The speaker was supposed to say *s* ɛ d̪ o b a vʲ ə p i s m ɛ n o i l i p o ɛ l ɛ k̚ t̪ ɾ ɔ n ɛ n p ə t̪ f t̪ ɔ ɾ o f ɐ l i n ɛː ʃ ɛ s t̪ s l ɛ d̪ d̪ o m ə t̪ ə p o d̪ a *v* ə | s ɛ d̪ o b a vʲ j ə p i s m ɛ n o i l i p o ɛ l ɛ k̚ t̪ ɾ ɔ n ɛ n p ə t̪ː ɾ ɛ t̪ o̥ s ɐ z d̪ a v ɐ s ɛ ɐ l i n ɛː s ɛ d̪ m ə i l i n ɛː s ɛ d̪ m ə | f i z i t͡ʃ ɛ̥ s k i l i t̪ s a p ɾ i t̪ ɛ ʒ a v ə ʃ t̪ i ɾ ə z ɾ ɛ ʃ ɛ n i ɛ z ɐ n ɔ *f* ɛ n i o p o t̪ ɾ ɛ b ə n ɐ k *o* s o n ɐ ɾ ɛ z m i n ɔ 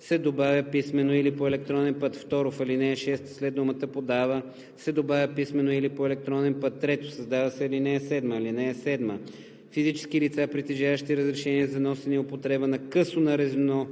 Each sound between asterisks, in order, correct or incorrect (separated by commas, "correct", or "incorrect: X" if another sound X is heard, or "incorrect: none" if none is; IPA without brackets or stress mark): correct, correct, incorrect: s, incorrect: ɤ